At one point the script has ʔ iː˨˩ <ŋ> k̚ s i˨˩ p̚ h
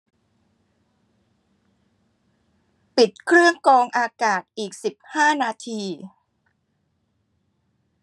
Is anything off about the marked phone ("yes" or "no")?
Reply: yes